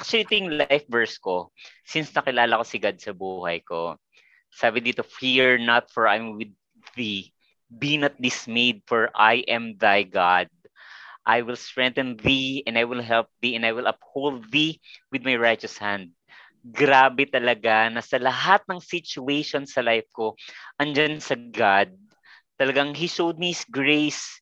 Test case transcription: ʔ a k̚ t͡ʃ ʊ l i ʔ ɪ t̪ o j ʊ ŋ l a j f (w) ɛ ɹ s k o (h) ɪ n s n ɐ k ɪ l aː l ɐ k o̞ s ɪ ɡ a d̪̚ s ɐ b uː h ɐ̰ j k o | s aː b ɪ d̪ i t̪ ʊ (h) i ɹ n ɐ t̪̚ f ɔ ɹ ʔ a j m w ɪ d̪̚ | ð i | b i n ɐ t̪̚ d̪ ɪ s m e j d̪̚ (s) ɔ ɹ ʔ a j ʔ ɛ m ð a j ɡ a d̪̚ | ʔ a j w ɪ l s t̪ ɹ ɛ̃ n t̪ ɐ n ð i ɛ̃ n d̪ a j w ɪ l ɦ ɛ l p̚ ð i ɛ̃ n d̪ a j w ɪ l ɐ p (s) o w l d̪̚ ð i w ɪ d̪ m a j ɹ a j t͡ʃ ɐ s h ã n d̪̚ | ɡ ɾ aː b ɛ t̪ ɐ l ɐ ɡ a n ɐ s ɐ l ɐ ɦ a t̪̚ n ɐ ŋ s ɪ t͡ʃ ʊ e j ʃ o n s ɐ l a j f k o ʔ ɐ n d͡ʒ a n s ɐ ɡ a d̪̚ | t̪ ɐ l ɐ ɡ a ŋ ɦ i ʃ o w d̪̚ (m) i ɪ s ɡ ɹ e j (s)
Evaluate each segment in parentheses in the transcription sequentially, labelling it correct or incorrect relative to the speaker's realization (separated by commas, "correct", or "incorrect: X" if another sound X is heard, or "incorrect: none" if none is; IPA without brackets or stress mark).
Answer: incorrect: v, incorrect: s, incorrect: f, incorrect: f, incorrect: h, correct, correct